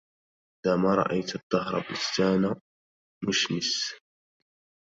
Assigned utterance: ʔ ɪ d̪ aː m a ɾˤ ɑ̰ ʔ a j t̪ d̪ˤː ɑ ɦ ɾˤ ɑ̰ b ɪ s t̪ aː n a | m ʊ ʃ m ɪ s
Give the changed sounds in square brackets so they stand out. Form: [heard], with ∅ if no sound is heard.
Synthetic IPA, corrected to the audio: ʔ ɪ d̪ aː m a ɾˤ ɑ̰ ʔ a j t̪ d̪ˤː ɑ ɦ ɾˤ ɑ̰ b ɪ s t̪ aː n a | m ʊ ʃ m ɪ s